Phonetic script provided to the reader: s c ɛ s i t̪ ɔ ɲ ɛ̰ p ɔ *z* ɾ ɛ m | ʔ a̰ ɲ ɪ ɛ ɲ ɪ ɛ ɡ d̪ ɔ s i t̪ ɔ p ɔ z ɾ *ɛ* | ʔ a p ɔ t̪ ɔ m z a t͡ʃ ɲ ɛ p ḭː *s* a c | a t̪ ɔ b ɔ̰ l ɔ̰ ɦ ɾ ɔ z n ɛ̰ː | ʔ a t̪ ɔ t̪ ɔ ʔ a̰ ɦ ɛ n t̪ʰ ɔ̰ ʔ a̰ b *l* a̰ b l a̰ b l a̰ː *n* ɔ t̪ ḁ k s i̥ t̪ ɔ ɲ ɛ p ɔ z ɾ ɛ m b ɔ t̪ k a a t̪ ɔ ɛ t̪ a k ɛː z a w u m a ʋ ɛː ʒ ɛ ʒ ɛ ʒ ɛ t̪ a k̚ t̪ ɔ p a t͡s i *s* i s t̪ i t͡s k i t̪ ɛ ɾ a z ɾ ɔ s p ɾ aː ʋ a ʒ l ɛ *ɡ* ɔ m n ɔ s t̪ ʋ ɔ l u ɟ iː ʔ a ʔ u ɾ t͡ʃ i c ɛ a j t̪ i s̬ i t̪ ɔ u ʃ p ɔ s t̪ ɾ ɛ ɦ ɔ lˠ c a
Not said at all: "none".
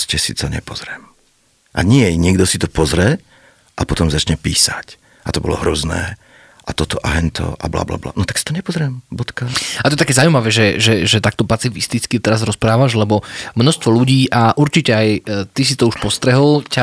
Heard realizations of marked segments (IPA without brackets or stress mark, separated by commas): z, ɛ, s, l, n, f, b